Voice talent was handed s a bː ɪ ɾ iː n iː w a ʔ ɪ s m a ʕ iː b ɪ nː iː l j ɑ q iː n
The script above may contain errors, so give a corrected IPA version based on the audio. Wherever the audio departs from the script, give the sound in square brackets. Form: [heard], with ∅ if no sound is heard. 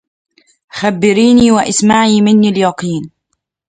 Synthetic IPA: [x] a bː ɪ ɾ iː n iː w a ʔ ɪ s m a ʕ iː [m] ɪ nː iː l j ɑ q iː n